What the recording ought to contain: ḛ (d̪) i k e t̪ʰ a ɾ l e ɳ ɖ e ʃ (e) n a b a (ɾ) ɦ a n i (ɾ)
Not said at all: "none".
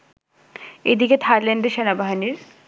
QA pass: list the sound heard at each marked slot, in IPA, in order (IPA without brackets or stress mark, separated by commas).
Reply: d̪, e, none, ɾ